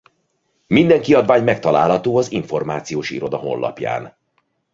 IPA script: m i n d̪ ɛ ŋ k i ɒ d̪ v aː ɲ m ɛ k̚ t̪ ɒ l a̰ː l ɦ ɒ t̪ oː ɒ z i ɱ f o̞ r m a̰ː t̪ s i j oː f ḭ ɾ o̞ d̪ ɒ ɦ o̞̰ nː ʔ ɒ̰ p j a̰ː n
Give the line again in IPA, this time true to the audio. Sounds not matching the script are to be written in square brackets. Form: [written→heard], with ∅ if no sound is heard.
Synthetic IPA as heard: m i n d̪ ɛ ŋ k i ɒ d̪ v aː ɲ m ɛ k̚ t̪ ɒ l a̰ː l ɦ ɒ t̪ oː ɒ z i ɱ f o̞ r m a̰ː t̪ s i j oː [f→ʃ] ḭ ɾ o̞ d̪ ɒ ɦ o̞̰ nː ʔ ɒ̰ p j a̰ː n